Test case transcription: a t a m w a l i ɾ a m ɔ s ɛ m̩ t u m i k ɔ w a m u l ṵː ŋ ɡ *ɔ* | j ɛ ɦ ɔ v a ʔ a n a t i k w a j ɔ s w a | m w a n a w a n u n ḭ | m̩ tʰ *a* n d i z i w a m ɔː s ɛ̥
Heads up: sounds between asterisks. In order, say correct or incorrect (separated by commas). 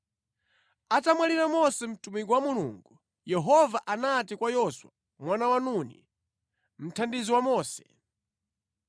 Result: incorrect, correct